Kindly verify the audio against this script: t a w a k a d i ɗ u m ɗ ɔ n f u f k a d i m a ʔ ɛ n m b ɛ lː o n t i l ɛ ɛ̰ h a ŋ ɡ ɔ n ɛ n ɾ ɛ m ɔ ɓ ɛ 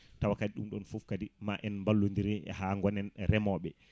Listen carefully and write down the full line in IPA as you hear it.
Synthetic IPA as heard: t a w a k a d i ɗ u m ɗ ɔ n f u f k a d i m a ʔ ɛ n m b a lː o n d i ɾ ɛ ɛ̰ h a ŋ ɡ ɔ n ɛ n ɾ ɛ m ɔ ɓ ɛ